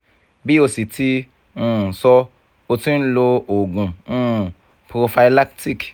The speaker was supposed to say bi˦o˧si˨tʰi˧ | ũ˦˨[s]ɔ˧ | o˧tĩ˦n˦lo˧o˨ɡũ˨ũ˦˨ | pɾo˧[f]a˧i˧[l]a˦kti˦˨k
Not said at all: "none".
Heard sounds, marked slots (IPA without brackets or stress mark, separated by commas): s, f, l